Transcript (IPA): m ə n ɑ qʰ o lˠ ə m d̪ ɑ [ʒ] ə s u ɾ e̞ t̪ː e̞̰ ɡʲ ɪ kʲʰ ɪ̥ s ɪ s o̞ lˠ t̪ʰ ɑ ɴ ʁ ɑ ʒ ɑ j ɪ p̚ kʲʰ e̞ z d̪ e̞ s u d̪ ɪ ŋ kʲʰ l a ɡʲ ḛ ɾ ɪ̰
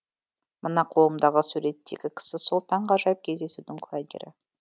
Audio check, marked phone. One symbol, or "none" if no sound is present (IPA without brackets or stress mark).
ʁ